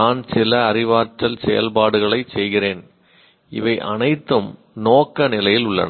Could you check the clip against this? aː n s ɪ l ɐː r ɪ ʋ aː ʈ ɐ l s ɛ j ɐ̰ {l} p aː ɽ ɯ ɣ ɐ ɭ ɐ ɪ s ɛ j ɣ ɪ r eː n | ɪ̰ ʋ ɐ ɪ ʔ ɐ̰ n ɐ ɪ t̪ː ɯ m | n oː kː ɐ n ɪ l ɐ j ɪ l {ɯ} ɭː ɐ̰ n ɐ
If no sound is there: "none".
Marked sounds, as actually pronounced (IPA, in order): l, ʊ

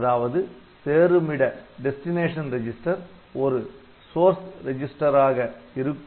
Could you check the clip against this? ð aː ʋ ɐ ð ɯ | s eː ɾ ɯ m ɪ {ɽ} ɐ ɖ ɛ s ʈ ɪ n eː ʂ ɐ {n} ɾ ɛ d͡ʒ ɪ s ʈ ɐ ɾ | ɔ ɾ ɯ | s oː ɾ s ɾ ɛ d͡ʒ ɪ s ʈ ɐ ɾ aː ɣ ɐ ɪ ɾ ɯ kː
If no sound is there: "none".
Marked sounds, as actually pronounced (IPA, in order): ɽ, n

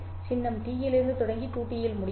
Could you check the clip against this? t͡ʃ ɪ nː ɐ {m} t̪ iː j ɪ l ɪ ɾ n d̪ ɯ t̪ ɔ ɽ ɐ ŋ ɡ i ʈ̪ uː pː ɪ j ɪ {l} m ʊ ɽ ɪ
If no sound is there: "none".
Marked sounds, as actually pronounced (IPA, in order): m, l

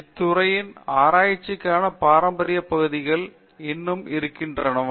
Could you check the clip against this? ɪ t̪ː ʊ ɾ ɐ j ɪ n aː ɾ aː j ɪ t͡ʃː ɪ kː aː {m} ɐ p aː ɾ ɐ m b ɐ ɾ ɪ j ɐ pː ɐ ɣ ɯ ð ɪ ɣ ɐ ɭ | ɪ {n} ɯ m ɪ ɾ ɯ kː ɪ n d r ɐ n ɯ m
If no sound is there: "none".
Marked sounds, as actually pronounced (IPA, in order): n, nː

